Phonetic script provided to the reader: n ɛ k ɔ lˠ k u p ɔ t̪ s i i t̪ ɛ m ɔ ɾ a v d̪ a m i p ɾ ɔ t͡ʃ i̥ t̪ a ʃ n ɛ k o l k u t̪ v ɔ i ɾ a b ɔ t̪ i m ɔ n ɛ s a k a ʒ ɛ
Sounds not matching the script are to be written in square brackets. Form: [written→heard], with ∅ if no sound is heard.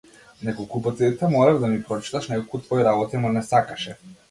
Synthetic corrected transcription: n ɛ k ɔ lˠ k u p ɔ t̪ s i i t̪ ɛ m ɔ ɾ a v d̪ a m i p ɾ ɔ t͡ʃ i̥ t̪ a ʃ n ɛ k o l k u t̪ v ɔ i ɾ a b ɔ t̪ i m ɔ n ɛ s a k a [ʒ→ʃ] ɛ